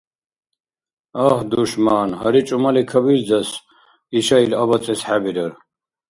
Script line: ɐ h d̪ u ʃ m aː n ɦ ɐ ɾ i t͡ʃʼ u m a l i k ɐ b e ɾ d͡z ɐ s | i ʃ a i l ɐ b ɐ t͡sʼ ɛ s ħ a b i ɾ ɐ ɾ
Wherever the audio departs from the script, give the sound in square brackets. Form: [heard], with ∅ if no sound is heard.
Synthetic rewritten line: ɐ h d̪ u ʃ m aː n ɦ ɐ ɾ i t͡ʃʼ u m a l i [kʰ] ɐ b [i] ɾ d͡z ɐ s | i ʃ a i l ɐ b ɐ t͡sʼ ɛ s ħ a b i ɾ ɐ ɾ